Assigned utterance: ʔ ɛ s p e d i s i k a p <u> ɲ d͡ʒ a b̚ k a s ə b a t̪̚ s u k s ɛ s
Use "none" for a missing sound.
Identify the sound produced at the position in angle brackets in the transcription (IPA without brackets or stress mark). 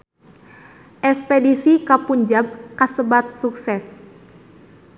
u